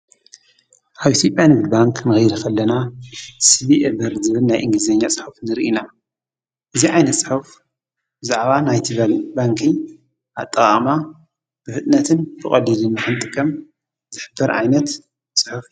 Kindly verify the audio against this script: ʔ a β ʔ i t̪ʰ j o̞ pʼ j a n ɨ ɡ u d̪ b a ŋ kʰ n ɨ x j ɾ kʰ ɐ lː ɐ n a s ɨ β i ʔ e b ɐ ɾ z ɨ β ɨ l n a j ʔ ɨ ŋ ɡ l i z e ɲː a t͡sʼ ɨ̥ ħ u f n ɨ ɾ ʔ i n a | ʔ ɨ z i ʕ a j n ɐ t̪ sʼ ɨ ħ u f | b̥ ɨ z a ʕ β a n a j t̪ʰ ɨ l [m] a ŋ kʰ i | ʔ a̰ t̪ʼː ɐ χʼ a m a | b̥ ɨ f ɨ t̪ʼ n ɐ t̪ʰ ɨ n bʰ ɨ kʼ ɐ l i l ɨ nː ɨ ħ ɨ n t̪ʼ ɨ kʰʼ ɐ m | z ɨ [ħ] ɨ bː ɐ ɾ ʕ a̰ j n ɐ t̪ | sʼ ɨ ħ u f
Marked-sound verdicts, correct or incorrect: incorrect, correct

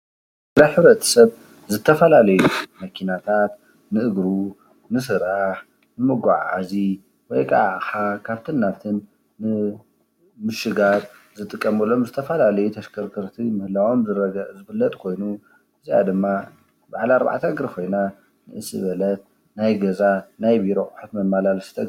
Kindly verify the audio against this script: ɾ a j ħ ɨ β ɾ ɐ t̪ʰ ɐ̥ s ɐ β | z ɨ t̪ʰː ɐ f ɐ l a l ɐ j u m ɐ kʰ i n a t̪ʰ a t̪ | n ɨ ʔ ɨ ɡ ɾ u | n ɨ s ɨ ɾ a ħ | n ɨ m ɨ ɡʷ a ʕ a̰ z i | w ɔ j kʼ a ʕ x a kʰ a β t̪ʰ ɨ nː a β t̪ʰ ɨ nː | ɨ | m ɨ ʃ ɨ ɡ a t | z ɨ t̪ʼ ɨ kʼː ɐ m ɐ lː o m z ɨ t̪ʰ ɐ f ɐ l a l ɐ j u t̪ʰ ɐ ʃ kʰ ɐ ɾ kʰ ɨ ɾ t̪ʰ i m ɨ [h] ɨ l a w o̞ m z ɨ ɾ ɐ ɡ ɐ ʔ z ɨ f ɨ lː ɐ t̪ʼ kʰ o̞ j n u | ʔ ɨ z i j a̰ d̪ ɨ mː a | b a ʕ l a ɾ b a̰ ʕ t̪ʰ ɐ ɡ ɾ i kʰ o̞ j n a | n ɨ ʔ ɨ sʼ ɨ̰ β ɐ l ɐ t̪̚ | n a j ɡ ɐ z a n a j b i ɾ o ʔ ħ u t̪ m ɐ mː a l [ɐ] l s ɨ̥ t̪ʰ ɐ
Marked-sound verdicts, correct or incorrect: correct, incorrect

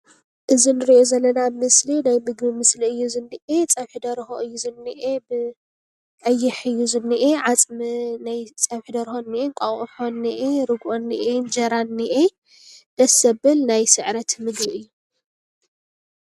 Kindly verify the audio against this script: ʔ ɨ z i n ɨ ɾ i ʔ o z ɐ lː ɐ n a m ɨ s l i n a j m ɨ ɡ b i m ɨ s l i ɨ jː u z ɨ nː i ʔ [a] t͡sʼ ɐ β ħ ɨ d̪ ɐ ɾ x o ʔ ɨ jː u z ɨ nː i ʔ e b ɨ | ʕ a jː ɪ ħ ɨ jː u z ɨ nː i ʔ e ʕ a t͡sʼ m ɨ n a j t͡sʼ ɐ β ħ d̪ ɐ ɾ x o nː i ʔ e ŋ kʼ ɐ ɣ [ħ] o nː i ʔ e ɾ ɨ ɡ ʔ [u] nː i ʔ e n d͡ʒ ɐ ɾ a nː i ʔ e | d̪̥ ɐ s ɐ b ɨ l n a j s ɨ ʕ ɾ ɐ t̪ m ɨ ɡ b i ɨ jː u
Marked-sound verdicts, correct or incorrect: incorrect, correct, incorrect

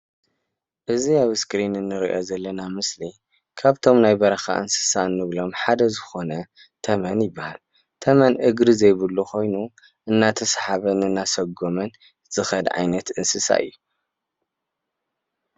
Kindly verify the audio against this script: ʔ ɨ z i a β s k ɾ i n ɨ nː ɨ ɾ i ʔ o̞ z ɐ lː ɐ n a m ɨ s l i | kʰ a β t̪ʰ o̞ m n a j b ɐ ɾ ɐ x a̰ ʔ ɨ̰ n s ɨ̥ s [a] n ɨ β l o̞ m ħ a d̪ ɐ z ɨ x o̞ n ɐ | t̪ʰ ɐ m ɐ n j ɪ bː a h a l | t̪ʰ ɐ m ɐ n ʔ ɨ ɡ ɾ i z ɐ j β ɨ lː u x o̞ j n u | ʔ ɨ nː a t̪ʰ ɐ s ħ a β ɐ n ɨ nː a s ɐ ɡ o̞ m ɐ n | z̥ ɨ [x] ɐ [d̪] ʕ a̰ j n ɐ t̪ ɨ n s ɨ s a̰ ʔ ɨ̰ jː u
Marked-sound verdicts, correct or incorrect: correct, correct, correct

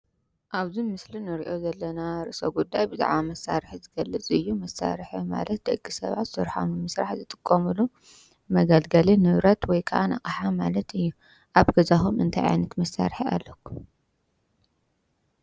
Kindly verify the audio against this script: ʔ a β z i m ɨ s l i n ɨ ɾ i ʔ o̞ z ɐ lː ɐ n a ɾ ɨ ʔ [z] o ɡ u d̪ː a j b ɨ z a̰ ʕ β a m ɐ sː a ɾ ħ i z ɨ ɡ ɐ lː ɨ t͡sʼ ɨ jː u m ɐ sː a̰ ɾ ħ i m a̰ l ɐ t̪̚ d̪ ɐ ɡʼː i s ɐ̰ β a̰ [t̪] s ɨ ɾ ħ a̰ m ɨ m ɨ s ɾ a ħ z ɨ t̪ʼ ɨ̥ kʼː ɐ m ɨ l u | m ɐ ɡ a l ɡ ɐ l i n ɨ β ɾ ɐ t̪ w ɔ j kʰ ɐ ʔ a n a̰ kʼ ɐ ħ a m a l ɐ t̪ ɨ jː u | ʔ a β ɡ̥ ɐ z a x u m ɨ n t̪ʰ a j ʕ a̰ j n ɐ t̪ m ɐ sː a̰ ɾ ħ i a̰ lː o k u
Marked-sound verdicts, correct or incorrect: incorrect, correct

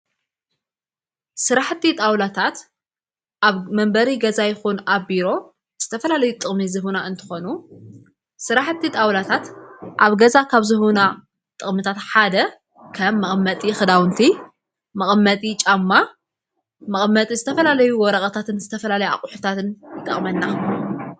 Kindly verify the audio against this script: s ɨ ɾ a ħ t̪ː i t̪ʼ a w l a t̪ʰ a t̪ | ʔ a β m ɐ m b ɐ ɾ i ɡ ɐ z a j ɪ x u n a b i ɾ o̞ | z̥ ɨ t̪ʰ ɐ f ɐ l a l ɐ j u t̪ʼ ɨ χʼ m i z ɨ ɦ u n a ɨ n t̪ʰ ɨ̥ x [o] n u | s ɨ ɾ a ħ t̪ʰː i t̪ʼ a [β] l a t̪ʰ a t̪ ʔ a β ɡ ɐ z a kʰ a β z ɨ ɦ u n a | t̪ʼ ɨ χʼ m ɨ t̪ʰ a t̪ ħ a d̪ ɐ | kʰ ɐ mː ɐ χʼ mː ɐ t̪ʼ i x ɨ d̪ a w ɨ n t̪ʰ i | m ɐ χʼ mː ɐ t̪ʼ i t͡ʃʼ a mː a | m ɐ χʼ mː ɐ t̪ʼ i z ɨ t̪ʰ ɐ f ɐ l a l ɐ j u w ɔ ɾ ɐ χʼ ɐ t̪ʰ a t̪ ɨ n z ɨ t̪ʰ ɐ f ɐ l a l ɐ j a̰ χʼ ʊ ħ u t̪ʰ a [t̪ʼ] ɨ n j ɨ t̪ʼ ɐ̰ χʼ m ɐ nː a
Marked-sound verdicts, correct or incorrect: correct, incorrect, incorrect

